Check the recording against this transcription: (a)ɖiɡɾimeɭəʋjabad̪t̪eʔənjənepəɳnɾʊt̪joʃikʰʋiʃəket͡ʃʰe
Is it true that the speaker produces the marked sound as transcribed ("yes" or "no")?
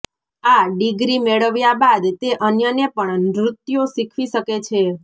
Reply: yes